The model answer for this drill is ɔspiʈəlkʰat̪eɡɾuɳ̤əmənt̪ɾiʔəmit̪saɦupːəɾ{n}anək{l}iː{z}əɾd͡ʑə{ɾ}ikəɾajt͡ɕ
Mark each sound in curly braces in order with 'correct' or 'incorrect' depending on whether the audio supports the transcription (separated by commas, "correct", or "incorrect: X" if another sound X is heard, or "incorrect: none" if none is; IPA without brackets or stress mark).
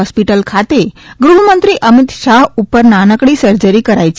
correct, incorrect: ɽ, incorrect: s, correct